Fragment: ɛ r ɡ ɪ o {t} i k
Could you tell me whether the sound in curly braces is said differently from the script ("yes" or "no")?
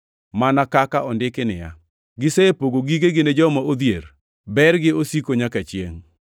yes